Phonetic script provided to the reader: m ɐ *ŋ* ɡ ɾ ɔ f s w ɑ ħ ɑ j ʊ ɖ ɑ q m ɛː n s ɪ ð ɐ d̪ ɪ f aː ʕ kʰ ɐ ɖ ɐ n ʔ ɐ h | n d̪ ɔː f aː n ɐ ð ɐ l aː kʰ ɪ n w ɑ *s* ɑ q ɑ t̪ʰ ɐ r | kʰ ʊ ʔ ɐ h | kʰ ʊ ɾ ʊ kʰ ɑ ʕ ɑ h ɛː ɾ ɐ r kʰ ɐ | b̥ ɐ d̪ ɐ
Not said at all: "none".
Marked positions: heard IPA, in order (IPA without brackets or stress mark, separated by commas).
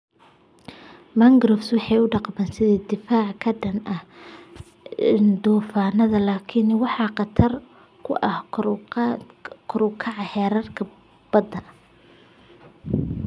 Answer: ŋ, ħ